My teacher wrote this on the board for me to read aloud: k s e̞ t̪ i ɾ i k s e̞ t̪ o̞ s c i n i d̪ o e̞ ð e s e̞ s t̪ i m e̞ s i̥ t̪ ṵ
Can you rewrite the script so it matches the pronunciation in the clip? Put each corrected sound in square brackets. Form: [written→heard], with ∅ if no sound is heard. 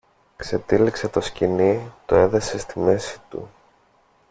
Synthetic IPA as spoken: k s e̞ t̪ i [ɾ→l] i k s e̞ t̪ o̞ s c i n i [d̪→t̪] o e̞ ð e s e̞ s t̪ i m e̞ s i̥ t̪ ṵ